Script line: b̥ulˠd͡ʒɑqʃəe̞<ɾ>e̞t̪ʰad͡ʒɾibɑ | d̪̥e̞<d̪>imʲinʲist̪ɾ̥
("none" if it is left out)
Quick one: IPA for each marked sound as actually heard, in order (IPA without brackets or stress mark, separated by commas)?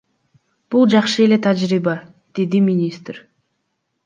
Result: l, d̪